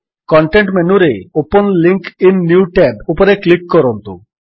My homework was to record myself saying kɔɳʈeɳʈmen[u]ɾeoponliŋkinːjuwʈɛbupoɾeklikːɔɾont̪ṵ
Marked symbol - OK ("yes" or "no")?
yes